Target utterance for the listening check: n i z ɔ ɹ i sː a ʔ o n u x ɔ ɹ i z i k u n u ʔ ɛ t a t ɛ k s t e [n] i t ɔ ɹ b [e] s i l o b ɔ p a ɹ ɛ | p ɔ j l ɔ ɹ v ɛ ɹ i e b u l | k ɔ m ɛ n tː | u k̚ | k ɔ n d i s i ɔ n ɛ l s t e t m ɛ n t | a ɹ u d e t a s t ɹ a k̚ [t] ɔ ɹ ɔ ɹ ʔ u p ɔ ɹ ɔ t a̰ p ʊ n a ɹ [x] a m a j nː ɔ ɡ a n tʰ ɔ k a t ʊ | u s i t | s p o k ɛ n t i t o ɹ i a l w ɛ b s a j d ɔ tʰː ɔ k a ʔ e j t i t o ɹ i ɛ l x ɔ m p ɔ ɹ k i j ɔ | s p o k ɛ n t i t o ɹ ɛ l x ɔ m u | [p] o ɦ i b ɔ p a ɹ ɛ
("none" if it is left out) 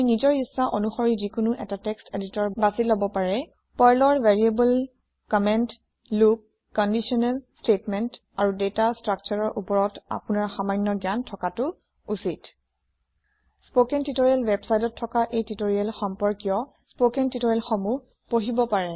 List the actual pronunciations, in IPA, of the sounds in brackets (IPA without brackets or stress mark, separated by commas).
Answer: d, a, t͡ʃ, x, p